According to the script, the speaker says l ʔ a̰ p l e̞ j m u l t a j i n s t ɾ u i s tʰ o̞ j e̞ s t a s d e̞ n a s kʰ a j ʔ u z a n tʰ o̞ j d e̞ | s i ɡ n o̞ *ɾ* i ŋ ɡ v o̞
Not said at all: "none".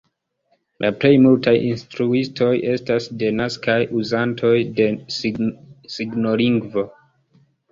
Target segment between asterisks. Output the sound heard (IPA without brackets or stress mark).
l